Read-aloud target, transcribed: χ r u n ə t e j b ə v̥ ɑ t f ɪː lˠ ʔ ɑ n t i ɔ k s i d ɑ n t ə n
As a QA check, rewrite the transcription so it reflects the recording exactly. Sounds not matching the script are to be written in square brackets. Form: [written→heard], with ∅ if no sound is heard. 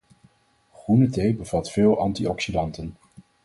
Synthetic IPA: χ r u n ə t e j b ə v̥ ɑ t f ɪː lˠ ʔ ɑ n t i ɔ k s i d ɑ n t ə n

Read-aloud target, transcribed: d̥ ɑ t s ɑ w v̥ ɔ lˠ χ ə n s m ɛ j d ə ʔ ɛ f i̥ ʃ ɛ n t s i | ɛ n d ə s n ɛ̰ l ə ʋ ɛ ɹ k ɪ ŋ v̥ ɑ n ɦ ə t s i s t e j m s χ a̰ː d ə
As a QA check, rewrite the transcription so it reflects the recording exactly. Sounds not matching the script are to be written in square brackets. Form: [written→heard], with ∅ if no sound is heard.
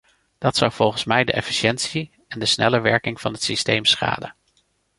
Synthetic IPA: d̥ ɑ t s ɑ w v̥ ɔ lˠ χ ə n s m ɛ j d ə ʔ ɛ f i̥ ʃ ɛ n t s i | ɛ n d ə s n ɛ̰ l ə ʋ ɛ ɹ k ɪ ŋ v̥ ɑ n ɦ ə t s i s t e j m s χ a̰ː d ə

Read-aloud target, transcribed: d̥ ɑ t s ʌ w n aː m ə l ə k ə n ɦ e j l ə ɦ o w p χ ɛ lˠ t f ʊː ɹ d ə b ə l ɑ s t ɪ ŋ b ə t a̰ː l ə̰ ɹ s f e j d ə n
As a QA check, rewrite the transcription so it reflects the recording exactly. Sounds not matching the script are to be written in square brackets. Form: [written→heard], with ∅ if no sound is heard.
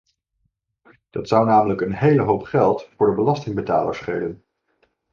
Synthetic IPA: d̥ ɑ t s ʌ w n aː m ə l ə k ə n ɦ e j l ə ɦ o w p χ ɛ lˠ t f ʊː ɹ d ə b ə l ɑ s t ɪ ŋ b ə t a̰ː l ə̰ ɹ s [f→χ] e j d ə n

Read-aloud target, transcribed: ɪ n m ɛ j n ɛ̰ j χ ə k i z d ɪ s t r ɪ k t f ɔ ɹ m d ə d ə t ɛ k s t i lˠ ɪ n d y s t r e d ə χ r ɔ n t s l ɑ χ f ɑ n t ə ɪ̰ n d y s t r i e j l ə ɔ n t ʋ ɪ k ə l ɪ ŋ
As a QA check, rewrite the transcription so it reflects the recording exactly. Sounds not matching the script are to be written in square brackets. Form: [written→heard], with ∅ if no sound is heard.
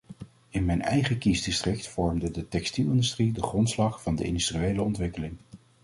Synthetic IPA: ɪ n m ɛ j n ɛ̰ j χ ə k i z d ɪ s t r ɪ k t f ɔ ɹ m d ə d ə t ɛ k s t i lˠ ɪ n d y s t r [e→i] d ə χ r ɔ n t s l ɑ χ f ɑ n [t→d] ə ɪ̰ n d y s t r i e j l ə ɔ n t ʋ ɪ k ə l ɪ ŋ

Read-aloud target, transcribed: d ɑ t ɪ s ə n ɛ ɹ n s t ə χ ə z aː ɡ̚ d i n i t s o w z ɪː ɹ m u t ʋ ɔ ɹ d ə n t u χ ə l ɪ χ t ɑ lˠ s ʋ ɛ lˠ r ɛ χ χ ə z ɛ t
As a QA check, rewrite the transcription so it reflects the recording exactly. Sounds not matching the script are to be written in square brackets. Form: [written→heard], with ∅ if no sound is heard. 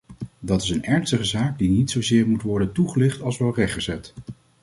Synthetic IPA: d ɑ t ɪ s ə n ɛ ɹ n s t ə χ ə z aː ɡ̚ d i n i t s o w z ɪː ɹ m u t ʋ ɔ ɹ d ə n t u χ ə l ɪ χ t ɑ lˠ s ʋ ɛ lˠ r ɛ χ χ ə z ɛ t

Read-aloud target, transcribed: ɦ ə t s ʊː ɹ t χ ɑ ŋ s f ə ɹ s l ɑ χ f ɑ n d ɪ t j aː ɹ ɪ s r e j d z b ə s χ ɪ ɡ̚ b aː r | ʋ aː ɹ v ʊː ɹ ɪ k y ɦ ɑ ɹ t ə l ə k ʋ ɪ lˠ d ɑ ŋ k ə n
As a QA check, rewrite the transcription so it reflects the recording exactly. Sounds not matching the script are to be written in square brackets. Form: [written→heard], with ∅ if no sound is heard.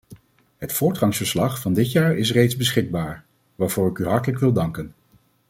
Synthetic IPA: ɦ ə t [s→f] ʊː ɹ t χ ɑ ŋ s f ə ɹ s l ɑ χ f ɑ n d ɪ t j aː ɹ ɪ s r e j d z b ə s χ ɪ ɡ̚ b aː [r→ɹ] | ʋ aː ɹ v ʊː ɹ ɪ k y ɦ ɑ ɹ t ə l ə k ʋ ɪ lˠ d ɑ ŋ k ə n

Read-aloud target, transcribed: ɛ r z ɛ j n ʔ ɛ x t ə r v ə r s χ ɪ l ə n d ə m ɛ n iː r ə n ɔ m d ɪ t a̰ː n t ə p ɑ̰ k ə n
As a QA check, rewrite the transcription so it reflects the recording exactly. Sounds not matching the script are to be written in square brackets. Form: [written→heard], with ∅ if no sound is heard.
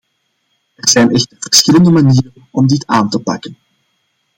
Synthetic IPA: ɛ r z ɛ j n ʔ ɛ x t ə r v ə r s [χ→x] ɪ l ə n d ə m [ɛ→a] n iː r ə n ɔ m d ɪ t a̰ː n t ə p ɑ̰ k ə n

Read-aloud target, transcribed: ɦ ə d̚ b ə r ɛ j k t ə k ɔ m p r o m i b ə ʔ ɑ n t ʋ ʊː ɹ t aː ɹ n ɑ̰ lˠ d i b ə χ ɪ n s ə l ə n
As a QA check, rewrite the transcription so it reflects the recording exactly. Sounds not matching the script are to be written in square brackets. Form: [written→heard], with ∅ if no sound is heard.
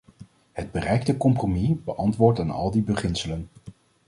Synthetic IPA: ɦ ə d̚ b ə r ɛ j k t ə k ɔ m p r o m i b ə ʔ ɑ n t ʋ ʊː ɹ t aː [ɹ→∅] n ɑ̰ lˠ d i b ə χ ɪ n s ə l ə n

